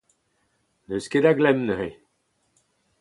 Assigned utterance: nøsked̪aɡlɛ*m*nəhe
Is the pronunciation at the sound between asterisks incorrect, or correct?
correct